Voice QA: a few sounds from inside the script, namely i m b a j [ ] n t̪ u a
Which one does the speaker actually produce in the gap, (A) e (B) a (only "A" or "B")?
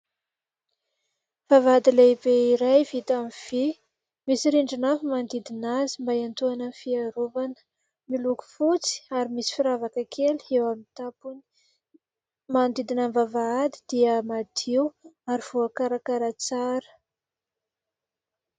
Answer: B